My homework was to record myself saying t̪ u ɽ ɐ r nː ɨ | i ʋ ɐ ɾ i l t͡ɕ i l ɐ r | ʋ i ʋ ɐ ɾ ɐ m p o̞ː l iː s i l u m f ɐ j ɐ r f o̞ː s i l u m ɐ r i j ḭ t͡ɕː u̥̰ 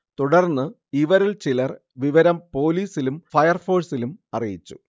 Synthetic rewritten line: t̪ u ɽ ɐ r nː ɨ | i ʋ ɐ ɾ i l t͡ɕ i l ɐ r | ʋ i ʋ ɐ ɾ ɐ m p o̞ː l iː s i l u m f ɐ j ɐ r f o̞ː s i l u m ɐ r i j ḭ t͡ɕː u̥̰